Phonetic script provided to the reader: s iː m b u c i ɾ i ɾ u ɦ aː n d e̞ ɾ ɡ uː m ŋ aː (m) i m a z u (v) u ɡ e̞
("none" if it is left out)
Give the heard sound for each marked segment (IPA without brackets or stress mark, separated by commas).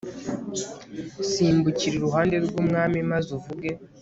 m, v